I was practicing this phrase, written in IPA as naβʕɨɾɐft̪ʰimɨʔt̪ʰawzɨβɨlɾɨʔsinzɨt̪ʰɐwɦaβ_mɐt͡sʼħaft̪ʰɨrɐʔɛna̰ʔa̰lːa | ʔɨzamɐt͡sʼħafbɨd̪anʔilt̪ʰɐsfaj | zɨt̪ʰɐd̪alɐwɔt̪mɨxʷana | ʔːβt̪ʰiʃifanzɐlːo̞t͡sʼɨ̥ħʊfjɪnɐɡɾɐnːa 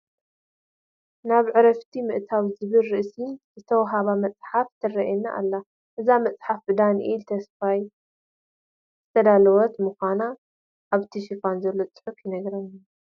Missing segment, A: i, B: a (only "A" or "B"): B